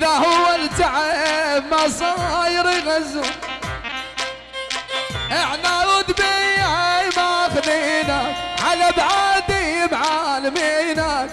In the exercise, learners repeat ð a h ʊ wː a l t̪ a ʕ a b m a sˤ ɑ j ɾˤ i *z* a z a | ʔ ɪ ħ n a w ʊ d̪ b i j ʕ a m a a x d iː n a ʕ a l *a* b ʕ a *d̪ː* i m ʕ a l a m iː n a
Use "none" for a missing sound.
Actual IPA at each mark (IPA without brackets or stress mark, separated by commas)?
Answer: ɣ, a, d̪